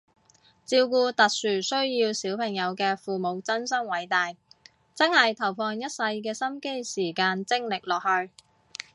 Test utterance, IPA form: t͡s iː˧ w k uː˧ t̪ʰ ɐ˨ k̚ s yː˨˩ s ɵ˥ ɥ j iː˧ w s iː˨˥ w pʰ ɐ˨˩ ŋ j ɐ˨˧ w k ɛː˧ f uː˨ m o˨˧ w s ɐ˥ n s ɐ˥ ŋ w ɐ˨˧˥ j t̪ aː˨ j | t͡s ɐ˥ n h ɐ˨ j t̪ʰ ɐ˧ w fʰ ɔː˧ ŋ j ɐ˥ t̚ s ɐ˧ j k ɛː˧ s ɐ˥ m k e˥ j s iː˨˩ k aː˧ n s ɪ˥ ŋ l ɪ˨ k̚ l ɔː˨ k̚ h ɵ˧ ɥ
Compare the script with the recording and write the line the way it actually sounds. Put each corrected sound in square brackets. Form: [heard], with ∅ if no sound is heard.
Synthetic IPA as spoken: t͡s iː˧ w k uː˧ [t̪] ɐ˨ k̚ s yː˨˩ s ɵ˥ ɥ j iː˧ w s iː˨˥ w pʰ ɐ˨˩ ŋ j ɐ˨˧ w k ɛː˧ f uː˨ m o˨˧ w [t͡s] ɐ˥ n s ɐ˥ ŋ w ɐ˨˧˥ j t̪ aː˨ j | t͡s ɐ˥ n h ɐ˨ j t̪ʰ [ɐ˨˩] w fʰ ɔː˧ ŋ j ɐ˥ t̚ s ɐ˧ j k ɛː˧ s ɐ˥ m k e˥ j s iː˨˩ k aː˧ n [t͡s] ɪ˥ ŋ l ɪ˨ k̚ l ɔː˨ k̚ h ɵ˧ ɥ